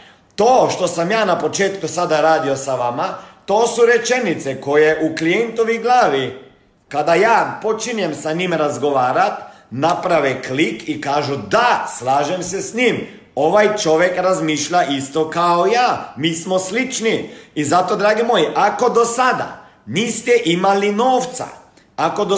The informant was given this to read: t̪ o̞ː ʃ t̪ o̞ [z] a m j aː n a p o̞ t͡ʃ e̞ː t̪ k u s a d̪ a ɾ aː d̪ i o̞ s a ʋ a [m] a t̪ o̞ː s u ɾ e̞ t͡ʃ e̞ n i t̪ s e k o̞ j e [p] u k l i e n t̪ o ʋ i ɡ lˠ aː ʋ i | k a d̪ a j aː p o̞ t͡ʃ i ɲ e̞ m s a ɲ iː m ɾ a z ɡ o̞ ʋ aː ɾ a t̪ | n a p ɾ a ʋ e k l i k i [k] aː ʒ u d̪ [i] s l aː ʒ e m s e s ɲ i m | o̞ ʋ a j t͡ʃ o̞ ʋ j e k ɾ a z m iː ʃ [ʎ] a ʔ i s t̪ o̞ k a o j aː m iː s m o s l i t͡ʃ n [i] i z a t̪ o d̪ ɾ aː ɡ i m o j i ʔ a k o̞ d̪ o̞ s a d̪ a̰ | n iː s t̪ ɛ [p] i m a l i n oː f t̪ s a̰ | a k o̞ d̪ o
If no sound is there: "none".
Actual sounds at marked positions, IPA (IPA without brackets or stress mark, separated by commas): s, m, ʔ, k, a, ʎ, i, ʔ